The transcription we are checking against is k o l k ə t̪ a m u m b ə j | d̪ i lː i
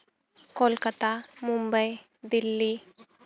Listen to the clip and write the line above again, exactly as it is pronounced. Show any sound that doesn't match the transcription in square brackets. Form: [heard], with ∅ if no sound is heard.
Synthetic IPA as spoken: k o l k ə t̪ a m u m b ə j | d̪ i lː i